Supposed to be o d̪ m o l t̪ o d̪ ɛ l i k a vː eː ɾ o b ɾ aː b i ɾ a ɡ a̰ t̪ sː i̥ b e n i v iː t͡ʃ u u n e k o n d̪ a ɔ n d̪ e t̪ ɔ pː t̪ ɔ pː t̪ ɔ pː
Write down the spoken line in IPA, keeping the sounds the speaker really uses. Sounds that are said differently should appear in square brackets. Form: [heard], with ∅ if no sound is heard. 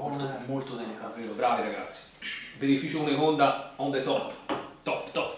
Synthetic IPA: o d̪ m o l t̪ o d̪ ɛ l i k a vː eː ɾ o b ɾ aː [v] i ɾ a ɡ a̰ t̪ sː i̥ b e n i [f] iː t͡ʃ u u n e k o n d̪ a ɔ n d̪ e t̪ ɔ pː t̪ ɔ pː t̪ ɔ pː